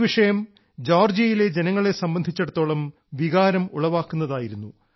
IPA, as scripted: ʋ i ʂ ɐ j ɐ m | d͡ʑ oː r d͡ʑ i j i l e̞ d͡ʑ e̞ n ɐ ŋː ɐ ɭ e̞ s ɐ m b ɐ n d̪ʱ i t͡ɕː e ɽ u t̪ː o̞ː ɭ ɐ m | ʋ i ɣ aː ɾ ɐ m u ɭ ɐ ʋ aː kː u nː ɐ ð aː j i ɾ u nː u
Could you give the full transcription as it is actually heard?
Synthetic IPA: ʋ i ʂ ɐ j ɐ m | d͡ʑ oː r d͡ʑ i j i l e̞ d͡ʑ e̞ n ɐ ŋː ɐ ɭ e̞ s ɐ m b ɐ n d̪ʱ i t͡ɕː e ɽ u t̪ː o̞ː ɭ ɐ m | ʋ i ɣ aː ɾ ɐ m u ɭ ɐ ʋ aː kː u nː ɐ ð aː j i ɾ u nː u